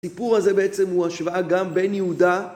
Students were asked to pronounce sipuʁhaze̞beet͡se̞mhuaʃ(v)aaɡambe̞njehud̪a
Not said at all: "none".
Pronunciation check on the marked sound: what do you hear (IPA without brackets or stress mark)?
v